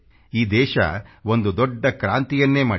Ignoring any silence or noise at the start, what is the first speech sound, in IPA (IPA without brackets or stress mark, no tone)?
iː